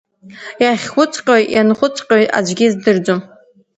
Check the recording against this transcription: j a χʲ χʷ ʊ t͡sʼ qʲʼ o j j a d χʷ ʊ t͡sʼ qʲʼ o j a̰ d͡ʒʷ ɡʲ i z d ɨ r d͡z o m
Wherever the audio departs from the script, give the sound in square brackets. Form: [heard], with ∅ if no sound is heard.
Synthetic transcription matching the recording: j a χʲ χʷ ʊ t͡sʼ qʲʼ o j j a [n] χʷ ʊ t͡sʼ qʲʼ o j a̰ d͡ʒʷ ɡʲ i z d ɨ r d͡z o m